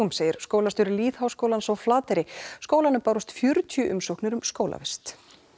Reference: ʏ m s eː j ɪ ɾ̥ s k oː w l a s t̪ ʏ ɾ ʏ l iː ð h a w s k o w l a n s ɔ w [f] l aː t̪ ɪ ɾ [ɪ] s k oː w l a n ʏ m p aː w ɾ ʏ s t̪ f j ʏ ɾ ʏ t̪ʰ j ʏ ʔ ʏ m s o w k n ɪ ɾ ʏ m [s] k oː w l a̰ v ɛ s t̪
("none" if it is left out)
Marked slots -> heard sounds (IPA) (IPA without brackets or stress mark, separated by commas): f, ɪ, s